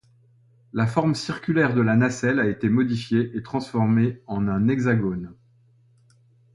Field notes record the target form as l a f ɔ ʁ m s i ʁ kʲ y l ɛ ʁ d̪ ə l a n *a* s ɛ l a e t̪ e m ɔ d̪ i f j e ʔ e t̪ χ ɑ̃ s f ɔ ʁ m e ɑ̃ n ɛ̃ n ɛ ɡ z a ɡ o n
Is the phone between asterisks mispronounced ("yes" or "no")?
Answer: no